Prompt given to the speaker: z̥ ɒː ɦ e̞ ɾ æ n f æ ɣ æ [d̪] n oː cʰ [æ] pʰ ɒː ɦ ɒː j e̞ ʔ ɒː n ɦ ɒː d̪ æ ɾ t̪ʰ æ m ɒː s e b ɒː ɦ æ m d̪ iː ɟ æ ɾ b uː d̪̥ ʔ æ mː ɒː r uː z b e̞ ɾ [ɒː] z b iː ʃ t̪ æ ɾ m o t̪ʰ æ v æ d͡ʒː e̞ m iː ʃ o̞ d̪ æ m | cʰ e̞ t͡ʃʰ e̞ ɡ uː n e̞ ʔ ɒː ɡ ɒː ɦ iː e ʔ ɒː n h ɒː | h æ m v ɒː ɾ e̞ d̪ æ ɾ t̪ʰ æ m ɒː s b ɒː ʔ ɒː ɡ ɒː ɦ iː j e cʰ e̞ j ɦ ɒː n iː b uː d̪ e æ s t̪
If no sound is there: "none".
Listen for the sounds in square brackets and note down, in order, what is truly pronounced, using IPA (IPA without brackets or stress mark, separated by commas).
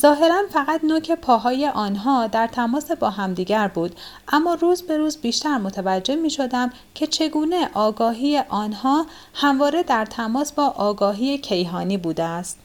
t̪, e, uː